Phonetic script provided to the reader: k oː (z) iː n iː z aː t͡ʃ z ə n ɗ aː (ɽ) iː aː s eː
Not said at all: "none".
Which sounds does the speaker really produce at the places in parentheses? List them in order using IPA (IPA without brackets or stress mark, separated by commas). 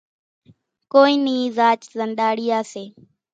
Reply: none, ɽ